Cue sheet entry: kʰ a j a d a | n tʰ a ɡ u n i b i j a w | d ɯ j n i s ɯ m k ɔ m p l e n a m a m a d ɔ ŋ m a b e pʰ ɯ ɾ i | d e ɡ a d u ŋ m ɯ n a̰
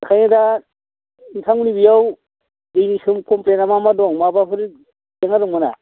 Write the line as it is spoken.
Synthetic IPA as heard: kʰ a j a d a | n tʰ a ŋ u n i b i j a w | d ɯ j n i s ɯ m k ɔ m p l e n a m a m a d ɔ ŋ m a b a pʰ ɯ ɾ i | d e ŋ a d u ŋ m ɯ n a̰